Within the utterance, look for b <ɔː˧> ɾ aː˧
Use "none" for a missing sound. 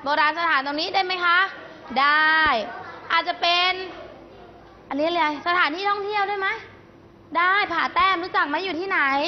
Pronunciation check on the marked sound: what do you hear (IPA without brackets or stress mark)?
ɔː˧